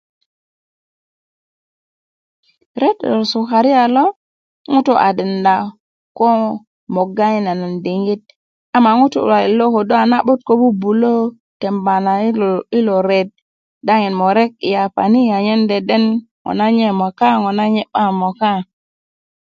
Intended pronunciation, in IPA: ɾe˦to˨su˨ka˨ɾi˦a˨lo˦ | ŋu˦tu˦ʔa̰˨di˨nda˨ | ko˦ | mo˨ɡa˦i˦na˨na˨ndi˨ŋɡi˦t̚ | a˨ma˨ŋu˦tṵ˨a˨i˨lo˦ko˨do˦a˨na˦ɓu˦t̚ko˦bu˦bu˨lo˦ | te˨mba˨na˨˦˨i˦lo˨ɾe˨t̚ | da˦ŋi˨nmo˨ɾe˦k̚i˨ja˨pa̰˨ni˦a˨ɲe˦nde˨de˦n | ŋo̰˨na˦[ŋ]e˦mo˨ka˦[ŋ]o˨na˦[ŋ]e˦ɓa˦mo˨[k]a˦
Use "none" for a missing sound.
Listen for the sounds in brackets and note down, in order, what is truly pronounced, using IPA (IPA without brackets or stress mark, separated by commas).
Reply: ɲ, ŋ, ɲ, k